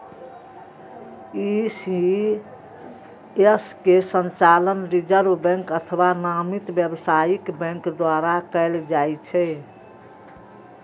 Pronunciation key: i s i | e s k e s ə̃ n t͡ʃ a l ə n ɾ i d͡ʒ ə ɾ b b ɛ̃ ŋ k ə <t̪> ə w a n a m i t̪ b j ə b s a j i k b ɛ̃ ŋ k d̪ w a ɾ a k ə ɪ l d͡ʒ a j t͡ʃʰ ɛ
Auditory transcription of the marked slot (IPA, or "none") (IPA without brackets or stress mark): t̪ʰ